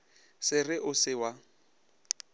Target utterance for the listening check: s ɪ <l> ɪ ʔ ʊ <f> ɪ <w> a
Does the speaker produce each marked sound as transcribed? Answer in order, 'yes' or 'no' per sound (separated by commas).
no, no, yes